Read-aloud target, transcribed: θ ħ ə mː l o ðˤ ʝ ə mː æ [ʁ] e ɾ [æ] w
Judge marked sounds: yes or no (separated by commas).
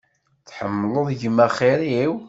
no, no